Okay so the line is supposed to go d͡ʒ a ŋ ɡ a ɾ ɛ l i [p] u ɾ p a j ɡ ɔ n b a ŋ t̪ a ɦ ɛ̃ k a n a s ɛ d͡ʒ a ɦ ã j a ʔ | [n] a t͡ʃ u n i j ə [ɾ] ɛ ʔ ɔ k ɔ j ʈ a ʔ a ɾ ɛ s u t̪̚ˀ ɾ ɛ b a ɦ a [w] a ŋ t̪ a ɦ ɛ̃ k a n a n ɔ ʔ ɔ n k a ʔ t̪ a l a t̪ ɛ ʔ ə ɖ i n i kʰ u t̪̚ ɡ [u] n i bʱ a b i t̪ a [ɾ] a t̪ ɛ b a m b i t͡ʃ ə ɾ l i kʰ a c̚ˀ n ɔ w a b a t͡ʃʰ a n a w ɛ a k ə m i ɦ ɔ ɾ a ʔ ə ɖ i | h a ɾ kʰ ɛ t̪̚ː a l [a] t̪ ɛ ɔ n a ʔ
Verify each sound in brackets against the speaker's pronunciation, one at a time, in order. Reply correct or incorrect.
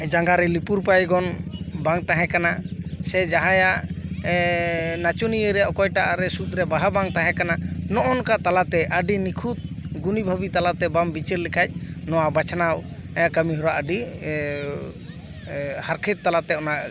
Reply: correct, correct, correct, incorrect, correct, incorrect, correct

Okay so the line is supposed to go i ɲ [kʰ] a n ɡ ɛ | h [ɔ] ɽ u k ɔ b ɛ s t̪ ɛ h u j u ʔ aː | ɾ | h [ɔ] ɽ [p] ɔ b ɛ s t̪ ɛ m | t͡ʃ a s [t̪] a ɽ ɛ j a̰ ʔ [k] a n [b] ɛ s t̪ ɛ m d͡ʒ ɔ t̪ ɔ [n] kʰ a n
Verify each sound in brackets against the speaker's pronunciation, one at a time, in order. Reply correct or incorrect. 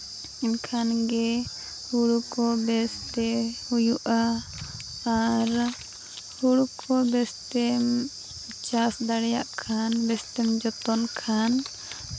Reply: correct, incorrect, incorrect, incorrect, incorrect, incorrect, correct, correct

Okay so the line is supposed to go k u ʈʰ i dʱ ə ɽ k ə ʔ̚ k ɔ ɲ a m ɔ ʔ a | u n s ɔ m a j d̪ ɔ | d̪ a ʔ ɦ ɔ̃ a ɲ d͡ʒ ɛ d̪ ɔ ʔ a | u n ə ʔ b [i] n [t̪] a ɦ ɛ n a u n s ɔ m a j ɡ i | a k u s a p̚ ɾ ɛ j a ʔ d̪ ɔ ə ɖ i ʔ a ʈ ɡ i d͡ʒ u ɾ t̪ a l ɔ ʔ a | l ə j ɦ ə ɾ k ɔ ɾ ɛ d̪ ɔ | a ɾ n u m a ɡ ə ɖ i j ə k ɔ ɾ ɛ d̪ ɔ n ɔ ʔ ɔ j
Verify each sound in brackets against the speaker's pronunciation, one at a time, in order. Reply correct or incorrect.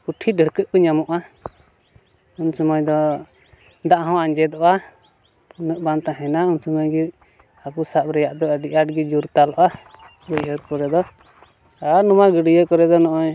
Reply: incorrect, correct

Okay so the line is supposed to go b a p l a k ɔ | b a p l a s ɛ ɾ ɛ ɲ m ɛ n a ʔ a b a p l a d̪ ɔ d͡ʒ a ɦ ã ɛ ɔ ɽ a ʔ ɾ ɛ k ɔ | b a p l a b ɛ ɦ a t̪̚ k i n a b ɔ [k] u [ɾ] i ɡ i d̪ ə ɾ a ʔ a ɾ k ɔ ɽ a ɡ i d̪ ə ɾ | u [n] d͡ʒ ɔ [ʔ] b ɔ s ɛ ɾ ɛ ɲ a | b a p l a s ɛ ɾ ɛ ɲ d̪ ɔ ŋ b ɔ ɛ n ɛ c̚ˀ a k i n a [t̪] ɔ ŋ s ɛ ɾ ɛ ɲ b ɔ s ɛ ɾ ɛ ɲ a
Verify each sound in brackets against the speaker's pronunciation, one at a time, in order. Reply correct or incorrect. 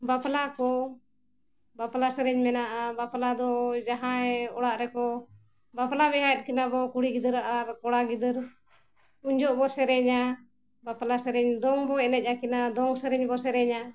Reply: correct, incorrect, incorrect, correct, incorrect

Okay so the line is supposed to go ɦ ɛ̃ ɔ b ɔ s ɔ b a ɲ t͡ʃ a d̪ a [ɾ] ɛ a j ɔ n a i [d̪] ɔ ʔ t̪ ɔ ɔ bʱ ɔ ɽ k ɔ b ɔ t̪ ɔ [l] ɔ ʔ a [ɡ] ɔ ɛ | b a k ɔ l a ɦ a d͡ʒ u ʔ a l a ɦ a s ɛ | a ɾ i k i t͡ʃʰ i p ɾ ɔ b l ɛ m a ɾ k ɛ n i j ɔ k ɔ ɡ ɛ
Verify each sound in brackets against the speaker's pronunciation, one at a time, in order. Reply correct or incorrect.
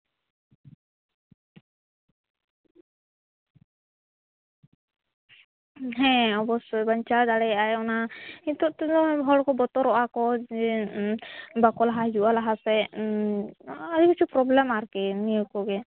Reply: incorrect, incorrect, incorrect, incorrect

